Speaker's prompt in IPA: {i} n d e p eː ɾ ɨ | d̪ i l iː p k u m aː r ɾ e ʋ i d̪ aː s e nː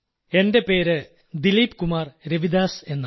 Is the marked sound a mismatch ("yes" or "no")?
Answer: yes